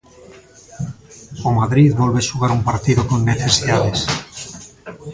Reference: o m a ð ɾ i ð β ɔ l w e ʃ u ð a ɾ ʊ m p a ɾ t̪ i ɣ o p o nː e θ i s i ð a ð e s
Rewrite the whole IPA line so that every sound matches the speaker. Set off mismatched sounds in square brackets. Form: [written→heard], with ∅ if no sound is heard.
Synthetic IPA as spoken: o m a ð ɾ i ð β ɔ l [w→β] e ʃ u [ð→ɣ] a ɾ [ʊ→u] m p a ɾ t̪ i [ɣ→ð] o [p→k] o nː e θ [i→e] s i ð a ð e s